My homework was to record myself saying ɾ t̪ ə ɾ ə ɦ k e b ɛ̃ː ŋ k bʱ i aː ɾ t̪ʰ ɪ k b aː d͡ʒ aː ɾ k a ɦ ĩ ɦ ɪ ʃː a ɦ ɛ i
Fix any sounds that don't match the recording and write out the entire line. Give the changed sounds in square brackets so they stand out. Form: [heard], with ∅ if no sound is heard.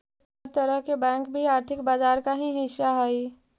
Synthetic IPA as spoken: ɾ t̪ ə ɾ ə ɦ k e b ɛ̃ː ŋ k bʱ i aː ɾ t̪ʰ ɪ k b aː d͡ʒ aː ɾ k a ɦ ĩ ɦ ɪ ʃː a ɦ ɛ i